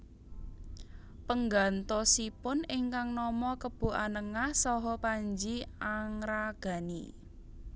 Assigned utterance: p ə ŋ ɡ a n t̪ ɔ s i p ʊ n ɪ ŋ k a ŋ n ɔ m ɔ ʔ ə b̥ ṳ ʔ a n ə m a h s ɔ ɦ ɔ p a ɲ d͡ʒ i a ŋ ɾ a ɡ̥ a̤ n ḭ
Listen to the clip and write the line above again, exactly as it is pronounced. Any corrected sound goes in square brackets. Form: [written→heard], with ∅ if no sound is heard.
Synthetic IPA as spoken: p ə ŋ ɡ a n t̪ ɔ s i p ʊ n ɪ ŋ k a ŋ n ɔ m ɔ [ʔ→k] ə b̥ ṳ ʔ a n ə [m→ŋ] a h s ɔ ɦ ɔ p a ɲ d͡ʒ i a ŋ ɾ a ɡ̥ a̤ n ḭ

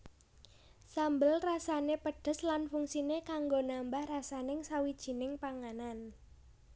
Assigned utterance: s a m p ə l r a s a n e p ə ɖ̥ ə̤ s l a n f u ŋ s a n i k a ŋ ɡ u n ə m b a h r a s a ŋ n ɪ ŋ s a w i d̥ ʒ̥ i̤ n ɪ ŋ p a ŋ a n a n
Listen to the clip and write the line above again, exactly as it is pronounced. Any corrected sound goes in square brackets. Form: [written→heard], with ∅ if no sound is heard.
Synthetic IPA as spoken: s a m [p→b] ə l r a s a n e p ə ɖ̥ ə̤ s l a n f u ŋ s [a→i] n [i→e] k a ŋ ɡ [u→o] n [ə→a] m b a h r a s a [ŋ→∅] n ɪ ŋ s a w i d̥ ʒ̥ i̤ n ɪ ŋ p a ŋ a n a n

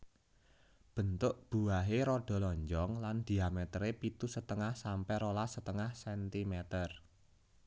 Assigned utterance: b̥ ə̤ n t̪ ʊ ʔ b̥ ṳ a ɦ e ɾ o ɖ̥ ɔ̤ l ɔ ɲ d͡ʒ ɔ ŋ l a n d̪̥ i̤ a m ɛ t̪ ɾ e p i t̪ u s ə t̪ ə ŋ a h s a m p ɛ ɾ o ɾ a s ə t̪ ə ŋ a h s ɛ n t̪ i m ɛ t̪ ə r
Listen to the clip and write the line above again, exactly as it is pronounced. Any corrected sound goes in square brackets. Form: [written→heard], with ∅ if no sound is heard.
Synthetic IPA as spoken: b̥ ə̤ n t̪ ʊ ʔ b̥ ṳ a ɦ e ɾ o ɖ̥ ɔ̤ l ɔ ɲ d͡ʒ ɔ ŋ l a n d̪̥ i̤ a m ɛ t̪ ɾ e p i t̪ u s ə t̪ ə ŋ a h s a m p ɛ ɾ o [ɾ→l] a s ə t̪ ə ŋ a h s ɛ n t̪ i m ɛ t̪ ə r

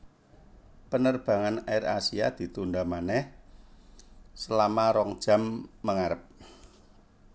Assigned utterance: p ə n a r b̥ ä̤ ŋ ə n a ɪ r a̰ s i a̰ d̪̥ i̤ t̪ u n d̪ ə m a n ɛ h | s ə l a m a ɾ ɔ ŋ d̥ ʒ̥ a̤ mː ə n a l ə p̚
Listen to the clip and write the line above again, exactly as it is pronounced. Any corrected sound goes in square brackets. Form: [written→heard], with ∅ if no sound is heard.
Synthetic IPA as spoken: p ə n [a→ə] r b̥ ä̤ ŋ [ə→a] n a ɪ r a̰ s i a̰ d̪̥ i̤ t̪ u n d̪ [ə→a] m a n ɛ h | s ə l a m a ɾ ɔ ŋ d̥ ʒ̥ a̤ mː ə [n→ŋ] a [l→ɾ] ə p̚

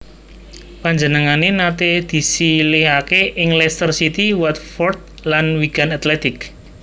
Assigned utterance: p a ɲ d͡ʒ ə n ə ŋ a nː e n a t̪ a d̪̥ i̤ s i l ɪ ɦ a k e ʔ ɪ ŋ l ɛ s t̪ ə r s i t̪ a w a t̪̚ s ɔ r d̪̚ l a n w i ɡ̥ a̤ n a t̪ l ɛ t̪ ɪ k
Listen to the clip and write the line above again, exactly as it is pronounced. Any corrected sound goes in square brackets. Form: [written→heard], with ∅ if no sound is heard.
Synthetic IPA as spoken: p a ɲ d͡ʒ ə n ə ŋ a [nː→n] e n a t̪ [a→e] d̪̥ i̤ s i l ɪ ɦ a k e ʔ ɪ ŋ l ɛ s t̪ ə r s i t̪ [a→i] w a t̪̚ [s→f] ɔ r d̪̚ l a n w i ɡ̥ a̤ n a t̪ l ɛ t̪ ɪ k

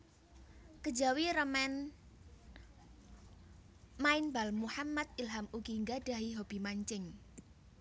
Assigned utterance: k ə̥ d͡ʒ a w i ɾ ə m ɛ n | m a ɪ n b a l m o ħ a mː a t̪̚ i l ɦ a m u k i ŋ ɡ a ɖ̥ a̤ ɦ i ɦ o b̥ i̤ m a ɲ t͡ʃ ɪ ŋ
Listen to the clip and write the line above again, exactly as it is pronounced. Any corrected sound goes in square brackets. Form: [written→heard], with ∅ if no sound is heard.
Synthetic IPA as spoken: k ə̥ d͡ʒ a w i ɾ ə m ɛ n | m a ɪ n b a l m [o→u] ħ a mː a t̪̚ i l ɦ a m u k i ŋ ɡ a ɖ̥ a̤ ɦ i ɦ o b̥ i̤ m a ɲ t͡ʃ ɪ ŋ

